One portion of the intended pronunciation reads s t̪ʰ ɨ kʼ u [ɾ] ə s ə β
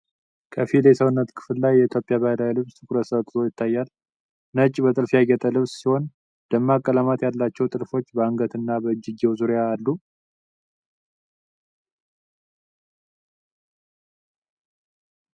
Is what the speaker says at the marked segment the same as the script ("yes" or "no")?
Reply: yes